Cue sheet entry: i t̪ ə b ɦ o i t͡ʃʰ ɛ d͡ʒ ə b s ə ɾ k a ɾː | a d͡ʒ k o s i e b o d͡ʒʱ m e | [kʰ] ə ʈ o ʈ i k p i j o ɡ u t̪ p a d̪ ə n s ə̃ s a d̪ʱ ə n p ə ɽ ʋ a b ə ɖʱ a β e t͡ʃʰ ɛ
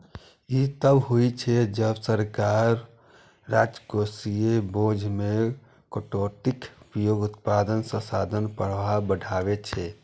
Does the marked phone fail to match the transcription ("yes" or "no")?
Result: yes